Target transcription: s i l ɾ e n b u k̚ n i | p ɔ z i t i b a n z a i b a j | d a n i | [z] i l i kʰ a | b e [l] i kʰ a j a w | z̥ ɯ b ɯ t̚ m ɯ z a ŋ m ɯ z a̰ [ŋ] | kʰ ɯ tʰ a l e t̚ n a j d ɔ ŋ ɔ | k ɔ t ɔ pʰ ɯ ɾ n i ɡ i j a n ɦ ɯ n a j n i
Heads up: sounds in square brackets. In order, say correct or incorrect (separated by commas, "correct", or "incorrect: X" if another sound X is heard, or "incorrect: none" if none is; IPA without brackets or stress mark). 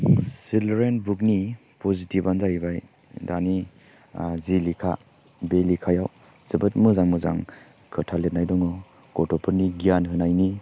correct, correct, correct